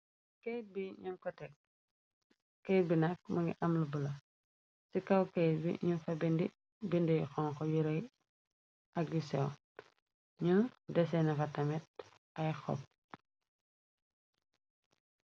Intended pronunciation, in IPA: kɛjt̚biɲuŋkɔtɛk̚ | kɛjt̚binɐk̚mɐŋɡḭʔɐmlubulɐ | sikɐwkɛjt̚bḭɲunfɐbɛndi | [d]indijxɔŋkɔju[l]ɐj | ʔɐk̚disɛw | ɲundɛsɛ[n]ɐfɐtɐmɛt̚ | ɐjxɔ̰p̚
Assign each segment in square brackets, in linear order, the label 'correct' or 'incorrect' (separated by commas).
incorrect, incorrect, correct